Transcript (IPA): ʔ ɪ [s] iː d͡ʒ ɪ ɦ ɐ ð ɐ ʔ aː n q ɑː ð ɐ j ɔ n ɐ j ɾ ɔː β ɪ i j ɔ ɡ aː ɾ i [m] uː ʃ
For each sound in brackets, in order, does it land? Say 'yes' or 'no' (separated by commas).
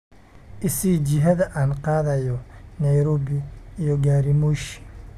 yes, yes